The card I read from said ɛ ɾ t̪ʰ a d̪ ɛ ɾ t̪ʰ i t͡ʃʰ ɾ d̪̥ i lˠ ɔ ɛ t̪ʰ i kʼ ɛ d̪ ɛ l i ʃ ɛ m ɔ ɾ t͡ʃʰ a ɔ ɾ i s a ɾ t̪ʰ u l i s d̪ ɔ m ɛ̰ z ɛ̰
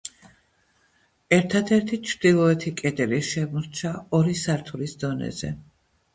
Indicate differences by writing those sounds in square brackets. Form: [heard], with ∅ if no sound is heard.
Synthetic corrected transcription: ɛ ɾ t̪ʰ a d̪ ɛ ɾ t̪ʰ i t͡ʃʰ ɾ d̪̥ i lˠ ɔ ɛ t̪ʰ i kʼ ɛ d̪ ɛ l i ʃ ɛ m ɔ ɾ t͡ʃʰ a ɔ ɾ i s a ɾ t̪ʰ u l i s d̪ ɔ [n] ɛ̰ z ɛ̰

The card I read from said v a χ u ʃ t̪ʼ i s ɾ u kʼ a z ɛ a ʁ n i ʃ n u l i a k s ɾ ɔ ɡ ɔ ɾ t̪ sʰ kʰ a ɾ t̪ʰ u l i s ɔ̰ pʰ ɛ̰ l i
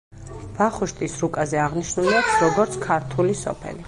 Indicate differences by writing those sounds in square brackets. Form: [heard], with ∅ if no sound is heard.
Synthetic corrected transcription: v a χ u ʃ t̪ʼ i s ɾ u kʼ a z ɛ a ʁ n i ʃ n u l i a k s ɾ ɔ ɡ ɔ ɾ t̪ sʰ kʰ a ɾ t̪ʰ u l i s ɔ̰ pʰ ɛ̰ l i

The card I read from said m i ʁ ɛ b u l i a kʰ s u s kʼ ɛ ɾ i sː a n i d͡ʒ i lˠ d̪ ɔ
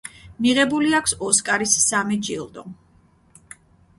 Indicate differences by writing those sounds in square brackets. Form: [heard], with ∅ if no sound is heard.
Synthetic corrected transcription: m i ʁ ɛ b u l i a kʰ s [ɔ] s kʼ [a] ɾ i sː a [m] i d͡ʒ i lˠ d̪ ɔ

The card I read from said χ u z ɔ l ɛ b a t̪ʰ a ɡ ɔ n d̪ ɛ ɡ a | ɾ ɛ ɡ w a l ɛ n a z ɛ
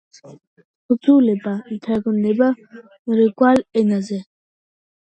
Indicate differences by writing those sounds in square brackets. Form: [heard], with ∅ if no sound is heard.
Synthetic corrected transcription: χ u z [u] l ɛ b a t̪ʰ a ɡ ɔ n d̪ ɛ [b] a | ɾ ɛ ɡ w a l ɛ n a z ɛ

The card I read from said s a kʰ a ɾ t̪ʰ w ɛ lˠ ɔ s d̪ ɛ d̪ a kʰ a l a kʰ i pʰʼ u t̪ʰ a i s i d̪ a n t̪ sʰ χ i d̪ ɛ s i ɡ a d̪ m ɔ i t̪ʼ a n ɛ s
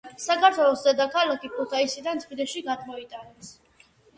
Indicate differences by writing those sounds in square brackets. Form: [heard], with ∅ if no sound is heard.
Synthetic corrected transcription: s a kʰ a ɾ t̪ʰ w ɛ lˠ ɔ s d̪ ɛ d̪ a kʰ a l a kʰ i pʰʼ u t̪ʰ a i s i d̪ a n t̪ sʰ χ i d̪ ɛ [ʃ] i ɡ a d̪ m ɔ i t̪ʼ a n ɛ s

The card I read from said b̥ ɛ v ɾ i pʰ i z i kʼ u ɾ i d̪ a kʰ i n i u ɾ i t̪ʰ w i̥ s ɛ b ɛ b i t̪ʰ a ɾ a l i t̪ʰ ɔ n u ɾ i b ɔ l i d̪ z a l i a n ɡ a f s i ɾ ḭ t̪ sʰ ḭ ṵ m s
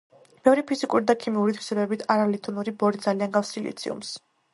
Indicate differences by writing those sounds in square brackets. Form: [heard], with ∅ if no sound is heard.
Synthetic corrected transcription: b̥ ɛ v ɾ i pʰ i z i kʼ u ɾ i d̪ a kʰ i [m] i u ɾ i t̪ʰ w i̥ s ɛ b ɛ b i t̪ʰ a ɾ a l i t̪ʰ ɔ n u ɾ i b ɔ [ɾ] i d̪ z a l i a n ɡ a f s i [l] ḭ t̪ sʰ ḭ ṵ m s

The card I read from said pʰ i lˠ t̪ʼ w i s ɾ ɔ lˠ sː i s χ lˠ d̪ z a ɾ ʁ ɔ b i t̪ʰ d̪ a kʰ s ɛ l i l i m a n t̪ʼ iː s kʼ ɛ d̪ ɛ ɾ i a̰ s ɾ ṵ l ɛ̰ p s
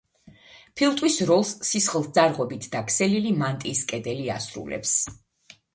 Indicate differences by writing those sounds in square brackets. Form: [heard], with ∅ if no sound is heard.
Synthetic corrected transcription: pʰ i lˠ t̪ʼ w i s ɾ ɔ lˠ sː i s χ lˠ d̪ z a ɾ ʁ ɔ b i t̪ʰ d̪ a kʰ s ɛ l i l i m a n t̪ʼ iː s kʼ ɛ d̪ ɛ [l] i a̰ s ɾ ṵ l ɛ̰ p s

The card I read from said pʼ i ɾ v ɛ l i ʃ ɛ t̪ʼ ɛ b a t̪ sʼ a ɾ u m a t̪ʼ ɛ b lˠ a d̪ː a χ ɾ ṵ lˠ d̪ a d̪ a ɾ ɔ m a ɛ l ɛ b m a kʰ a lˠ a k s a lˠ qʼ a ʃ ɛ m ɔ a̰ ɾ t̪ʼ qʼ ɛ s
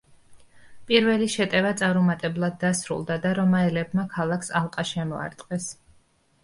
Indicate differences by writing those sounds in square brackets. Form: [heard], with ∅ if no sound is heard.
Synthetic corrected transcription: pʼ i ɾ v ɛ l i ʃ ɛ t̪ʼ ɛ [v] a t̪ sʼ a ɾ u m a t̪ʼ ɛ b lˠ a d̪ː a [s] ɾ ṵ lˠ d̪ a d̪ a ɾ ɔ m a ɛ l ɛ b m a kʰ a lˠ a k s a lˠ qʼ a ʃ ɛ m ɔ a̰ ɾ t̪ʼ qʼ ɛ s

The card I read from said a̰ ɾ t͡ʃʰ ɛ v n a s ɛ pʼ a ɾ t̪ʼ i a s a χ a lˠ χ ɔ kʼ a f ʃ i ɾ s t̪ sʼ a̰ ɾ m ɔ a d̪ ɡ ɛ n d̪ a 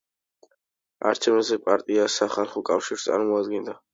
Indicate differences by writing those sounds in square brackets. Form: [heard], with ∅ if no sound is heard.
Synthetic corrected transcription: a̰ ɾ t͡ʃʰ ɛ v n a [z] ɛ pʼ a ɾ t̪ʼ i a s a χ a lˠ χ ɔ kʼ a f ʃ i ɾ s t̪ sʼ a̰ ɾ m ɔ a d̪ ɡ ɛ n d̪ a

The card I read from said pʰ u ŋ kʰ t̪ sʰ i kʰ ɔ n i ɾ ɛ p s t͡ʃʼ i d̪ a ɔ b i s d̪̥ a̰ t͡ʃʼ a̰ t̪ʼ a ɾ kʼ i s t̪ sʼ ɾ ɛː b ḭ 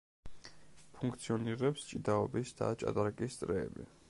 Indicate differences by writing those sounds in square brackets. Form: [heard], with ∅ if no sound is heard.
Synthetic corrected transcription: pʰ u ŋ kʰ t̪ sʰ i [∅] ɔ n i ɾ ɛ p s t͡ʃʼ i d̪ a ɔ b i s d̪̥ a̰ t͡ʃʼ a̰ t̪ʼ a ɾ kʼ i s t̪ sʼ ɾ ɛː b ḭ

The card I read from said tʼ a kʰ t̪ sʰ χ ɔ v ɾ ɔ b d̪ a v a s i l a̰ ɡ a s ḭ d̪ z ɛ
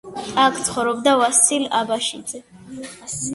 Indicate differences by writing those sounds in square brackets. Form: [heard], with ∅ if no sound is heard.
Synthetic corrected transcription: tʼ a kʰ t̪ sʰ χ ɔ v ɾ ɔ b d̪ a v a s i l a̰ [b] a [ʃ] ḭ d̪ z ɛ

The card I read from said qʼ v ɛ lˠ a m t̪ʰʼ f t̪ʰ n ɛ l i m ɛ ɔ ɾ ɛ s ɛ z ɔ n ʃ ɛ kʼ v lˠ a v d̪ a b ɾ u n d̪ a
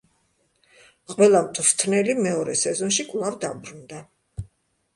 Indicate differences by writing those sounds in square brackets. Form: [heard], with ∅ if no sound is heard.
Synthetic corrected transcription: qʼ [w] ɛ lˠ a m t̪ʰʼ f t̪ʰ n ɛ l i m ɛ ɔ ɾ ɛ s ɛ z ɔ n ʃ [i] kʼ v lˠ a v d̪ a b ɾ u n d̪ a

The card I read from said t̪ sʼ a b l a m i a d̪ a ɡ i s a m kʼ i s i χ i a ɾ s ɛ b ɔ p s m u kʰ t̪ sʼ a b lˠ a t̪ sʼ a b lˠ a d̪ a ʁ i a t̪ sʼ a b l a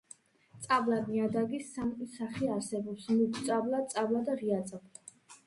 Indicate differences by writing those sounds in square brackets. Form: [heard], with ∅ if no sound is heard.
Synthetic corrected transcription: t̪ sʼ a b l a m i a d̪ a ɡ i s a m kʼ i s [a] χ i a ɾ s ɛ b ɔ p s m u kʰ t̪ sʼ a b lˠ a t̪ sʼ a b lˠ a d̪ a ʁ i a t̪ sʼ a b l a

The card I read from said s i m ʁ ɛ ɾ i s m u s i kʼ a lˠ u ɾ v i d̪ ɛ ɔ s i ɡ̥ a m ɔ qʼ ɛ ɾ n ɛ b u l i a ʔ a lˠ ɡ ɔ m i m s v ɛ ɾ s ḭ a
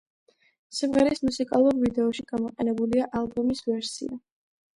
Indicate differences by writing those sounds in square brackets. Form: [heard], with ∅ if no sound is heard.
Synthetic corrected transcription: s i m ʁ ɛ ɾ i s m u s i kʼ a lˠ u ɾ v i d̪ ɛ ɔ [ʃ] i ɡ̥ a m ɔ qʼ ɛ [∅] n ɛ b u l i a ʔ a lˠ [b] ɔ m i [∅] s v ɛ ɾ s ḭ a

